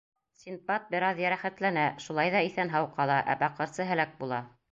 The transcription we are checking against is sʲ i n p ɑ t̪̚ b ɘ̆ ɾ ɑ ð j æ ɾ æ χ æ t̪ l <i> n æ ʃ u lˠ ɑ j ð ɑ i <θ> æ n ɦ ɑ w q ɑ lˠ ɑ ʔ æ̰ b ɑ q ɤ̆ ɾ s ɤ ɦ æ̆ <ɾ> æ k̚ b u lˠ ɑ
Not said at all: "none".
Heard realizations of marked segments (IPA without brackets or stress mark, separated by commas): æ, θ, l